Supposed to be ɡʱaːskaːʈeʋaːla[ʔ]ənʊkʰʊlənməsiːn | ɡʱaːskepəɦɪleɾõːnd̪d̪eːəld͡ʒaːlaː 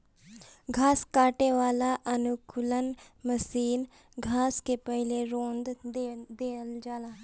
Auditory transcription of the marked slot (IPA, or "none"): ʔ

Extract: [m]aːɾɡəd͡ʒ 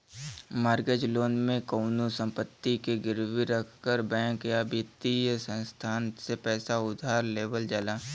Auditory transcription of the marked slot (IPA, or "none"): m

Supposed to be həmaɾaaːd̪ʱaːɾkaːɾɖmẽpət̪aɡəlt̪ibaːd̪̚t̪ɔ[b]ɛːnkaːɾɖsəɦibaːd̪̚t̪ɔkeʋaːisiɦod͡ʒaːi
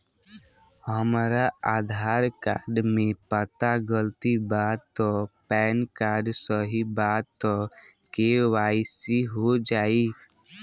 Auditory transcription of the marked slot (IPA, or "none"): p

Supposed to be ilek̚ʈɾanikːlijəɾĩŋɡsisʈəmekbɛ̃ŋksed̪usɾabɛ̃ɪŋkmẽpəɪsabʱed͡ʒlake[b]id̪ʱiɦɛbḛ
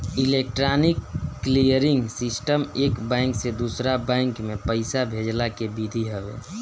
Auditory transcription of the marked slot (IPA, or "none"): b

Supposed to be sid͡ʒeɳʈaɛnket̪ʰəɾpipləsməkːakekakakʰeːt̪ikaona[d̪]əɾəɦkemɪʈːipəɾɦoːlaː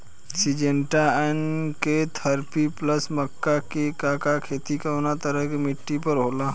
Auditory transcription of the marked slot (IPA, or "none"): t̪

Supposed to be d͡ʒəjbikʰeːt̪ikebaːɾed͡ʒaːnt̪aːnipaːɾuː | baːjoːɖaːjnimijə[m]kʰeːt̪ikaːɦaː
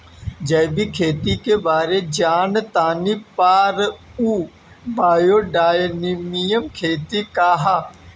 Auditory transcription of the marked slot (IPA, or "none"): m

